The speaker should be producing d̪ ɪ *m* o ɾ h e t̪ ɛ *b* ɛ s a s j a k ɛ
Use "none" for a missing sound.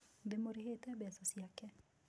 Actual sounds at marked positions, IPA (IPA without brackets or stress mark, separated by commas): m, b